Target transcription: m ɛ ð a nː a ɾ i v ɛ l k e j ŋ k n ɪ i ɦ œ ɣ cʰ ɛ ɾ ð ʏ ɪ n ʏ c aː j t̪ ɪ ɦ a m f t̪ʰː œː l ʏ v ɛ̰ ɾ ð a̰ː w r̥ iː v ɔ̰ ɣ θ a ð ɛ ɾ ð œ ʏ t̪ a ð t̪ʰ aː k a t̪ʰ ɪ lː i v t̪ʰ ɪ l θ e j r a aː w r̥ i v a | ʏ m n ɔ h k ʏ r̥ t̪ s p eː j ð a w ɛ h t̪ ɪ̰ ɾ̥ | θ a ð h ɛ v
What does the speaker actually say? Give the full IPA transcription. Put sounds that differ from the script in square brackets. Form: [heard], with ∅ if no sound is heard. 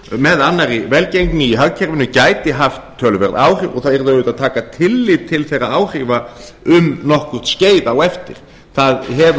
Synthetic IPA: m ɛ ð a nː a ɾ i v ɛ l [c] e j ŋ k n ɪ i ɦ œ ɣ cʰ ɛ ɾ [v] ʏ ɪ n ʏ c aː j t̪ ɪ ɦ a [∅] f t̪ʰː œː l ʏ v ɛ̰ ɾ ð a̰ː w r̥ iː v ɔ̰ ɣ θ a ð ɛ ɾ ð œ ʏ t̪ a ð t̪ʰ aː k a t̪ʰ ɪ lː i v t̪ʰ ɪ l θ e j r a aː w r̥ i v a | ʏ m n ɔ h k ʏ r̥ t̪ s [c] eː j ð a w ɛ [f] t̪ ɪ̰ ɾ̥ | θ a ð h ɛ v